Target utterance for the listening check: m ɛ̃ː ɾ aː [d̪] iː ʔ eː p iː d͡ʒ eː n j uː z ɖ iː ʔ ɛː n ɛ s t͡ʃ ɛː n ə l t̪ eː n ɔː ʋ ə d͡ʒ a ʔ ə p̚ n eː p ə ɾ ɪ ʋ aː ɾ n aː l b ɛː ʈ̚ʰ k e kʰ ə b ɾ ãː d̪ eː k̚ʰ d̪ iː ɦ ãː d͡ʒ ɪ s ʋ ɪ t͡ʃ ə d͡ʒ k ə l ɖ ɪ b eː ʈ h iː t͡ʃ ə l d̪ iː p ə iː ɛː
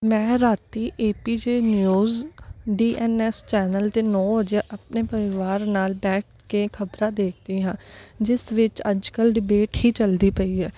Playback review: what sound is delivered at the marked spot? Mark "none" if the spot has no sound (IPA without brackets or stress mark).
t̪